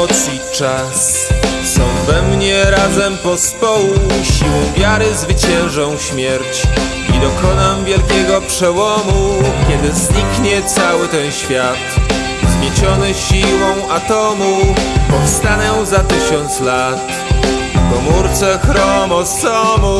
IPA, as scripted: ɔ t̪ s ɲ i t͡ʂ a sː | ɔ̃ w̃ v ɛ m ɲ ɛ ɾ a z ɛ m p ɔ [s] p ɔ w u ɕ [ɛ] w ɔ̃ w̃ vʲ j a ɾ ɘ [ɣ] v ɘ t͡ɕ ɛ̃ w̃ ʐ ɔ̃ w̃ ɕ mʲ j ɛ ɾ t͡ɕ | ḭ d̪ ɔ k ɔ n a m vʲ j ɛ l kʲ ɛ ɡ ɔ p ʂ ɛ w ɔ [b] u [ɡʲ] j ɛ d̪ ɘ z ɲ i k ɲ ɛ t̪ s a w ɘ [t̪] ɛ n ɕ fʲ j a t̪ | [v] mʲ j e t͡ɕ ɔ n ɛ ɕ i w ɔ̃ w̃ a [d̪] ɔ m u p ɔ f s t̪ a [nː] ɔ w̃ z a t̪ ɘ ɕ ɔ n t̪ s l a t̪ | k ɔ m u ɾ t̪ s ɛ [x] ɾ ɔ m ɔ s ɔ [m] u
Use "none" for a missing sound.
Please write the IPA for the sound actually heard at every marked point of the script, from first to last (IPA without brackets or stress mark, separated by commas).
s, i, z, m, kʲ, t̪, z, t̪, n, x, m